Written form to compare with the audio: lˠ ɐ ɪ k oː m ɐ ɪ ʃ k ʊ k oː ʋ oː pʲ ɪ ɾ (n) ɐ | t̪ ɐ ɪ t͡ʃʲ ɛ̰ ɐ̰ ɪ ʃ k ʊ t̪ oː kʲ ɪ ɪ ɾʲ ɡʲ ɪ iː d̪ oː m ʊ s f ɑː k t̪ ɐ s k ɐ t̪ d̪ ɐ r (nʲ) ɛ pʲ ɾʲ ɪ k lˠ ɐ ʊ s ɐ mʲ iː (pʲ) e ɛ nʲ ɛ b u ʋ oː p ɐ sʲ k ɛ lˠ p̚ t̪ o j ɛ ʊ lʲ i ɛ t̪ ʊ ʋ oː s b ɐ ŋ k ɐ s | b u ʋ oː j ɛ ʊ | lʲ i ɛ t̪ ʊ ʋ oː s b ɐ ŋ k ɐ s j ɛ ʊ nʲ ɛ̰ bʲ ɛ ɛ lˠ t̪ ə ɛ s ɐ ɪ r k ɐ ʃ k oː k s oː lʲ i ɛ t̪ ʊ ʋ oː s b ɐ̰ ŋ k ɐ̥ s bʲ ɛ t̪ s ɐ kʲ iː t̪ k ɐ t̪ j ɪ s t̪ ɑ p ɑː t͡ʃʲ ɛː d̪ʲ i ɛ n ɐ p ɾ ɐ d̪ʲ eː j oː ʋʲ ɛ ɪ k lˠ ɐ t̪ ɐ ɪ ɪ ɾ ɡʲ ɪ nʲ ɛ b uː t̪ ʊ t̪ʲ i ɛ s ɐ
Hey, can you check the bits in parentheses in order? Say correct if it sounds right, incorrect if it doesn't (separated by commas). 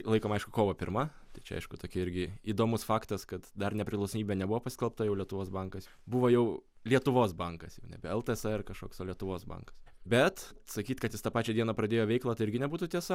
incorrect, correct, incorrect